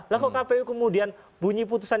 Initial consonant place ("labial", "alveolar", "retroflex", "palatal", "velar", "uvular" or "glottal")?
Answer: alveolar